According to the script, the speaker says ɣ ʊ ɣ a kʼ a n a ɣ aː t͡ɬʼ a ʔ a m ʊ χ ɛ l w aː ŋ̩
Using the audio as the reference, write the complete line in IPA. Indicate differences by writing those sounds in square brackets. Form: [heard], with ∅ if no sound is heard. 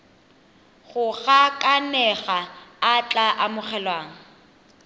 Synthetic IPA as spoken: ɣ ʊ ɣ a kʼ a n [ɛ] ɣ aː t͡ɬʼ a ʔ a m ʊ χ ɛ l w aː ŋ̩